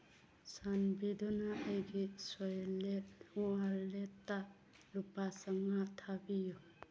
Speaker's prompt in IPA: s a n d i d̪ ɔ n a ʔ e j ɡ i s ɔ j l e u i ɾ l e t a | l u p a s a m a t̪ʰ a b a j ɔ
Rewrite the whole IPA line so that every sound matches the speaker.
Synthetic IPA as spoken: s a n b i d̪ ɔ n a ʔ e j ɡ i s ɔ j l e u a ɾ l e t a | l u p a s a ŋ a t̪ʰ a b i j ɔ